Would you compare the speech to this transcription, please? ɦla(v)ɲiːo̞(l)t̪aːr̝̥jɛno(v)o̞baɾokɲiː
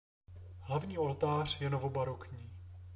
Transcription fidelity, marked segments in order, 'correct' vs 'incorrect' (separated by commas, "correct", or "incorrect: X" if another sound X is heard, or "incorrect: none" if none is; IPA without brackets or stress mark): correct, correct, correct